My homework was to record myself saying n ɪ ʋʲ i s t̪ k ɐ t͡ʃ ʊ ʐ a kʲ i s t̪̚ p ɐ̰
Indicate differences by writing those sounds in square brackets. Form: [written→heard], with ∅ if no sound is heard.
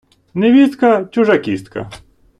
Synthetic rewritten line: n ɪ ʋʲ i s t̪ k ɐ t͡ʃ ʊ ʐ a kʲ i s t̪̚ [p→k] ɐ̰